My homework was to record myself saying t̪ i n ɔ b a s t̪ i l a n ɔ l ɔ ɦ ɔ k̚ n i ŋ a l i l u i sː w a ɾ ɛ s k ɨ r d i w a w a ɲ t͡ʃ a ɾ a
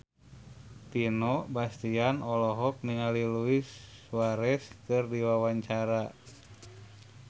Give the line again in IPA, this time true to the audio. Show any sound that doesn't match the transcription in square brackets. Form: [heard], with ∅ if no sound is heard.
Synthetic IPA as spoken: t̪ i n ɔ b a s t̪ i [∅] a n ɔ l ɔ ɦ ɔ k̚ n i ŋ a l i l u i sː w a ɾ ɛ s k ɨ r d i w a w a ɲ t͡ʃ a ɾ a